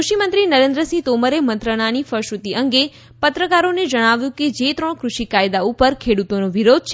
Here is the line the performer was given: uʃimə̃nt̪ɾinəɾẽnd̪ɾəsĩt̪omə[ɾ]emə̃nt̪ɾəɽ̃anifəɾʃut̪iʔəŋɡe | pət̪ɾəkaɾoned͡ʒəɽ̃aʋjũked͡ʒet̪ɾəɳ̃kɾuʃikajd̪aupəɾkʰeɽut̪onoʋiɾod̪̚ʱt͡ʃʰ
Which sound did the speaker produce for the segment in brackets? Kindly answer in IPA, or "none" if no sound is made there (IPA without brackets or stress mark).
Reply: ɾ